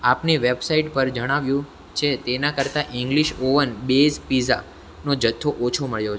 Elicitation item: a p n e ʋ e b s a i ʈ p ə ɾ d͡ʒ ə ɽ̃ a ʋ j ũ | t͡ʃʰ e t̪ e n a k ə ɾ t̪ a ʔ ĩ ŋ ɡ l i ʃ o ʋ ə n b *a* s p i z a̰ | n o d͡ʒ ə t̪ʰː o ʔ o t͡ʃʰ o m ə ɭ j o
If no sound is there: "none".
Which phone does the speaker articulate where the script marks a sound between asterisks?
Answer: e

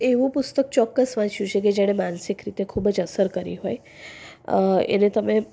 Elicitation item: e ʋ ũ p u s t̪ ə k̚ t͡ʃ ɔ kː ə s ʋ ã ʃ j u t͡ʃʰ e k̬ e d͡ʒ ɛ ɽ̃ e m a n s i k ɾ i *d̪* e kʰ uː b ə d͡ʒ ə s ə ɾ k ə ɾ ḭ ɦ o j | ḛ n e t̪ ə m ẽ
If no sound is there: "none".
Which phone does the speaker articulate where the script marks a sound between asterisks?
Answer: t̪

